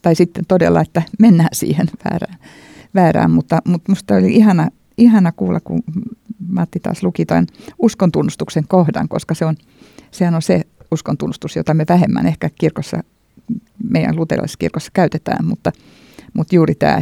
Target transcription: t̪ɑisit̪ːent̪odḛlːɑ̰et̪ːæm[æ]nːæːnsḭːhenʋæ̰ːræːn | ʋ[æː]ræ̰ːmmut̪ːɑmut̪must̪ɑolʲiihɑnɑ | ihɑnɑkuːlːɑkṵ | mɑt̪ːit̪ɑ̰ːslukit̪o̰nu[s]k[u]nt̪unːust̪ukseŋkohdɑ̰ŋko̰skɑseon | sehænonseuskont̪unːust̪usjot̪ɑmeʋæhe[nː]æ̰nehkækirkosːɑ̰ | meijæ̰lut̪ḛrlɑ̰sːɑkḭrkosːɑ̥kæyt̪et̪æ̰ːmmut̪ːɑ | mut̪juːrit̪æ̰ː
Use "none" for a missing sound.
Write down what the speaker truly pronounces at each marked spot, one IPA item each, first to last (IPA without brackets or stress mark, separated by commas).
e, æː, s, o, mː